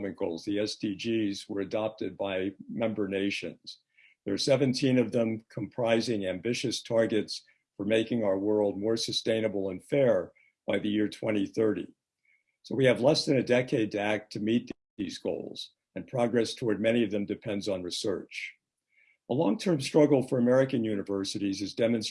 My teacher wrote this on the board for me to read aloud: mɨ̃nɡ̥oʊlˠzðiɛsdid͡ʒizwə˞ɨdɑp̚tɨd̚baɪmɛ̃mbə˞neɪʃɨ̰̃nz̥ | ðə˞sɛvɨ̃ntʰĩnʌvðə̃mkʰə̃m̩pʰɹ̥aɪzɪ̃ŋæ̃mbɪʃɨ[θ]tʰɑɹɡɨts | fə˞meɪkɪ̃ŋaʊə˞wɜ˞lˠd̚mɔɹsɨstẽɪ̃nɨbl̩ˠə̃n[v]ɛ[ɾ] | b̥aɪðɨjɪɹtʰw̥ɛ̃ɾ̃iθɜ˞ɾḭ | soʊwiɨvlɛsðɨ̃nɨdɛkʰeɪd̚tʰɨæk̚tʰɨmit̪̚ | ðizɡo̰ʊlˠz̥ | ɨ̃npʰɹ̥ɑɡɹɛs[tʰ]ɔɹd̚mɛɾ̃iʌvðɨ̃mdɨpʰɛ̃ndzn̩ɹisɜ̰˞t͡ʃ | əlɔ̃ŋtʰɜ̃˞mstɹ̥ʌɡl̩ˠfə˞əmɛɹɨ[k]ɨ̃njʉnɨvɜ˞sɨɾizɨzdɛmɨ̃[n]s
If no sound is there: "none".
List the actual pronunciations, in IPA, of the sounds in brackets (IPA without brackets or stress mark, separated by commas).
s, f, ɹ, tʰ, k, n